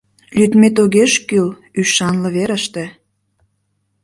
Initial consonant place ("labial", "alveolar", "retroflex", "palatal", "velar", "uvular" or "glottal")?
alveolar